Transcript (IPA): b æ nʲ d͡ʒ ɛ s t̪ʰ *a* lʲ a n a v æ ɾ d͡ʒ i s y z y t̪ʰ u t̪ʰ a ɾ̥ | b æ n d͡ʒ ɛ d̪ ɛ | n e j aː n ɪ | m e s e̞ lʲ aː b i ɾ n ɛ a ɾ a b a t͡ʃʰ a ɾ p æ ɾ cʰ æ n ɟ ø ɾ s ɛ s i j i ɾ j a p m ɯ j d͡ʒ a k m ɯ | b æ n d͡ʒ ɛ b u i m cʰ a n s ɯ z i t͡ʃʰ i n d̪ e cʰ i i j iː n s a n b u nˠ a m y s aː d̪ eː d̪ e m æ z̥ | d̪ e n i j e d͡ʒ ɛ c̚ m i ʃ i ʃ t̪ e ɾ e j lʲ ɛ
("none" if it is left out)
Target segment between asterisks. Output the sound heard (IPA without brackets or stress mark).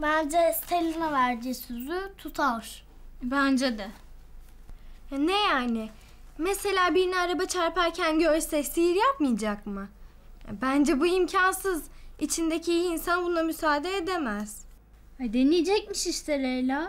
e